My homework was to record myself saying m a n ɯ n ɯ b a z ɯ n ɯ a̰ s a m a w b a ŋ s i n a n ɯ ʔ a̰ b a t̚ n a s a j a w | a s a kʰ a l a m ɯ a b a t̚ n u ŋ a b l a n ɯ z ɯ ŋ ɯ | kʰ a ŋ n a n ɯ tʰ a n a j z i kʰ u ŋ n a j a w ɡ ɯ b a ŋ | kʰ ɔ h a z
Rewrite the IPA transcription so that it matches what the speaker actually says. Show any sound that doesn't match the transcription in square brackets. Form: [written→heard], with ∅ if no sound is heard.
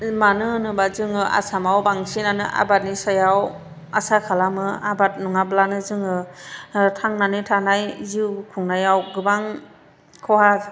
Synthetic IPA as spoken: m a n ɯ n ɯ b a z ɯ [n→ŋ] ɯ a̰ s a m a w b a ŋ s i n a n ɯ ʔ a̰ b a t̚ n [a→i] s a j a w | a s a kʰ a l a m ɯ a b a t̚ n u ŋ a b l a n ɯ z ɯ ŋ ɯ | [kʰ→tʰ] a ŋ n a n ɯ tʰ a n a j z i kʰ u ŋ n a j a w ɡ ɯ b a ŋ | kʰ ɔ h a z

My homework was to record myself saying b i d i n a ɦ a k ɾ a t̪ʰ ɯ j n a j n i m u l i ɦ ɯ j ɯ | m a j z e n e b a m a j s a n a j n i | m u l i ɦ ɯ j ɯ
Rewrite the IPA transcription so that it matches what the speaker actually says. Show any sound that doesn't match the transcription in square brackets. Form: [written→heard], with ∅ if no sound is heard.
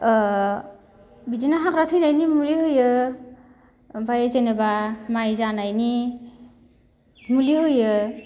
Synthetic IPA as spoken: b i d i n a ɦ a k ɾ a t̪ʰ ɯ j n a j n i m u l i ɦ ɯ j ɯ | [m→b] a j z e n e b a m a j [s→z] a n a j n i | m u l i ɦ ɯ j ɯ

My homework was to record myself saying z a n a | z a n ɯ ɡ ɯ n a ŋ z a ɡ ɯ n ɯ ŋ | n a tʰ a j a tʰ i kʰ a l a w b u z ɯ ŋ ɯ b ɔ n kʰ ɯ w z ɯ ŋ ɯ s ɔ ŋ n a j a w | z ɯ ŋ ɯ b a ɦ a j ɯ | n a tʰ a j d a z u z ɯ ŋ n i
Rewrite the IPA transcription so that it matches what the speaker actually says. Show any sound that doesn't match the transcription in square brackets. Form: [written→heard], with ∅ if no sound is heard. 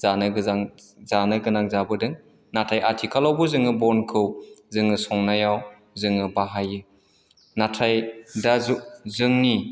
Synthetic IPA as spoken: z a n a | z a n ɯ ɡ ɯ n a ŋ z a [ɡ→b] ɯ [n→d] ɯ ŋ | n a tʰ a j a tʰ i kʰ a l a w b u z ɯ ŋ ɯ b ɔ n kʰ ɯ w z ɯ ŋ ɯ s ɔ ŋ n a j a w | z ɯ ŋ ɯ b a ɦ a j ɯ | n a tʰ a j d a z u z ɯ ŋ n i

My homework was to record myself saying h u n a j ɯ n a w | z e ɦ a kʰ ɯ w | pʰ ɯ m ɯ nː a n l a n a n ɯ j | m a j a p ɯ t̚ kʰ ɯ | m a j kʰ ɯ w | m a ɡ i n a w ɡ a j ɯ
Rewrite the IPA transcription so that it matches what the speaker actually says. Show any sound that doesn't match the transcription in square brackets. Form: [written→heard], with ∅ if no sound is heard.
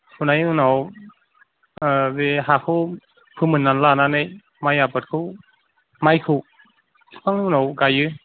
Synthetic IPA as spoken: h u n a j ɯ n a w | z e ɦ a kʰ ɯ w | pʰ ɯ m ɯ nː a n l a n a n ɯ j | m a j a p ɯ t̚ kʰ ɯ | m a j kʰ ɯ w | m a [ɡ→ŋ] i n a w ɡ a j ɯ

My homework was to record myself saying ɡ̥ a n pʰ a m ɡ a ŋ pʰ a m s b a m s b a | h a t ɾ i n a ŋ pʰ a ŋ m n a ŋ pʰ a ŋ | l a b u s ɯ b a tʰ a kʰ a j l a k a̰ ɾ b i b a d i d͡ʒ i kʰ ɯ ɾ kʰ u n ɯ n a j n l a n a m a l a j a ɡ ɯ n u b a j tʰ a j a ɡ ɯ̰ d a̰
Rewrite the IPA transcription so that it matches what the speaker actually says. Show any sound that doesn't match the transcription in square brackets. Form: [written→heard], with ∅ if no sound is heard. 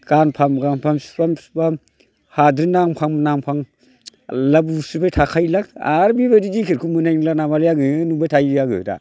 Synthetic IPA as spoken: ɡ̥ a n pʰ a m ɡ a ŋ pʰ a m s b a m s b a | h a [t→d] ɾ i n a ŋ pʰ a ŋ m n a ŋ pʰ a ŋ | l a b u s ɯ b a tʰ a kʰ a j l a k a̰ ɾ b i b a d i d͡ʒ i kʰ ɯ ɾ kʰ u [n→m] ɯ n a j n l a n a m a l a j a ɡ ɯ n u b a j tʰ a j a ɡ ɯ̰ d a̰

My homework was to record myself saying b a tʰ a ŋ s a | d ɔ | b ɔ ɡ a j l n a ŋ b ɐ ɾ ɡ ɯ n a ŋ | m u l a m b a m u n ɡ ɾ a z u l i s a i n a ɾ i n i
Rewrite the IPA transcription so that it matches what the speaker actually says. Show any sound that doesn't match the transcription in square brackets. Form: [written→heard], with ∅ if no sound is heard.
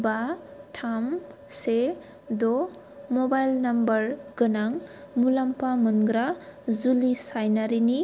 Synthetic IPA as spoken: b a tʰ a [ŋ→m] s [a→e] | d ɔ | [b→m] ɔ [ɡ→b] a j l n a [ŋ→m] b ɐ ɾ ɡ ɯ n a ŋ | m u l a m [b→p] a m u n ɡ ɾ a z u l i s a [i→j] n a ɾ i n i

